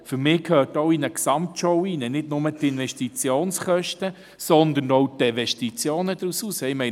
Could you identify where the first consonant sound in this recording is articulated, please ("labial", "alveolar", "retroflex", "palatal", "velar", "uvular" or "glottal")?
labial